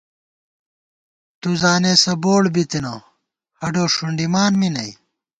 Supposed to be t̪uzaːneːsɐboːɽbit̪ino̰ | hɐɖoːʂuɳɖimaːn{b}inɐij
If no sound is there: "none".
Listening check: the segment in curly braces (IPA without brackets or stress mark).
m